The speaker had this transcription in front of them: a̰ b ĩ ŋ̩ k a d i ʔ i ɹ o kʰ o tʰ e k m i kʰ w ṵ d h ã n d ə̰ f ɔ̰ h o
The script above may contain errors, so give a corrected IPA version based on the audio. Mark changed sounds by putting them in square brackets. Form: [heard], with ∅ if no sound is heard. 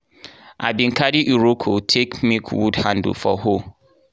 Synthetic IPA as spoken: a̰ b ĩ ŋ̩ k a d i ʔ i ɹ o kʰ o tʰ e k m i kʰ w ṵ d h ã n d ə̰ f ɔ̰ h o